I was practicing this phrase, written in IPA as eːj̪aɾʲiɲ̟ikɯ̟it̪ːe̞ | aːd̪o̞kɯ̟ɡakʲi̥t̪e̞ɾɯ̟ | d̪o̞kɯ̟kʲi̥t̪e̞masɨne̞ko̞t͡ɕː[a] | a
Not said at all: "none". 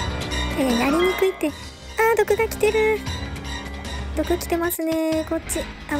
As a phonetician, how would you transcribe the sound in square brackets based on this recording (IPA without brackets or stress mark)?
i